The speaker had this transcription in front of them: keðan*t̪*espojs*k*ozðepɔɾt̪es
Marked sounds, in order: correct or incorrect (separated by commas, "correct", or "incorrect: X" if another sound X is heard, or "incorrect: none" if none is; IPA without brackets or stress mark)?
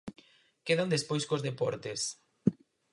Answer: incorrect: d̪, correct